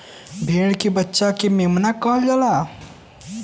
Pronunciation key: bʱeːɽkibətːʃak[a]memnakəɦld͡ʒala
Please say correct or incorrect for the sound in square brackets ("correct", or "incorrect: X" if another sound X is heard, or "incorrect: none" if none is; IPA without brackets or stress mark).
incorrect: e